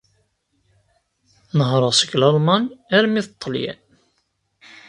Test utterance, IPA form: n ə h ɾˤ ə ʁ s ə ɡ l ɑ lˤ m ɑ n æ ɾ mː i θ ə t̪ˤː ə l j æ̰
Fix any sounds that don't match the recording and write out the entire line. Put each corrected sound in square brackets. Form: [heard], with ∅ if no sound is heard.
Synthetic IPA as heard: n ə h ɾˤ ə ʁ s ə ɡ l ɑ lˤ m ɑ n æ ɾ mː i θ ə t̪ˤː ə l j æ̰